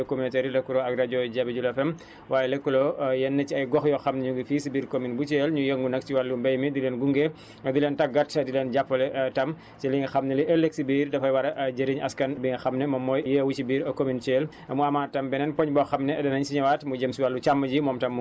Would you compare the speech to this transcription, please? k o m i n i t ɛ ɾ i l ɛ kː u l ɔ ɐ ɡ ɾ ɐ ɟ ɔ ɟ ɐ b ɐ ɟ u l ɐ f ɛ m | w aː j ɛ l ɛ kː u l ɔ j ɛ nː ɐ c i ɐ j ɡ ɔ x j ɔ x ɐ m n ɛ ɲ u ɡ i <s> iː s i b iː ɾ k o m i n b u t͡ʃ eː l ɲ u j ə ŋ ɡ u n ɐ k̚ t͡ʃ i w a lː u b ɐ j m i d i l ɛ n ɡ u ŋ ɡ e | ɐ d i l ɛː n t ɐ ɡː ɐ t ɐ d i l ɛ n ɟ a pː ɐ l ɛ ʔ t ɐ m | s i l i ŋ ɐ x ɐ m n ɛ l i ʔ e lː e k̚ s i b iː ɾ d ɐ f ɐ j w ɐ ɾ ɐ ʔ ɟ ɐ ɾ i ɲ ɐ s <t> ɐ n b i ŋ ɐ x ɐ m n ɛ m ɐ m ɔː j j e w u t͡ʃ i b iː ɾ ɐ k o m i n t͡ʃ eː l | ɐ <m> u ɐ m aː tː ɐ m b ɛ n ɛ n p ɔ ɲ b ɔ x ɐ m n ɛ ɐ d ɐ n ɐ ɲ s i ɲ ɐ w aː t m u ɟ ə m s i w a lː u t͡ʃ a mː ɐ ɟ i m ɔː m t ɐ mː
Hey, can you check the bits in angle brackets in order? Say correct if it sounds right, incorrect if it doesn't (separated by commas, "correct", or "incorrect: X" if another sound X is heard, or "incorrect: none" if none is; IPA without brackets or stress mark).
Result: incorrect: f, incorrect: k, correct